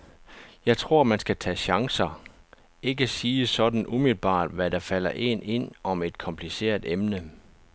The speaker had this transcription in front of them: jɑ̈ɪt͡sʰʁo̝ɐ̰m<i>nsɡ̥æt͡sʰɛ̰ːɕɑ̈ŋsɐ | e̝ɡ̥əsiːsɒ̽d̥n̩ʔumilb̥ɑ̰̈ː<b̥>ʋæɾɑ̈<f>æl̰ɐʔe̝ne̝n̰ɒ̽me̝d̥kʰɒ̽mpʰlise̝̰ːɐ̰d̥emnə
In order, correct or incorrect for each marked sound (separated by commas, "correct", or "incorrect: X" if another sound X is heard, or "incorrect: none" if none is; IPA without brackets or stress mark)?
incorrect: æ, incorrect: d̥, correct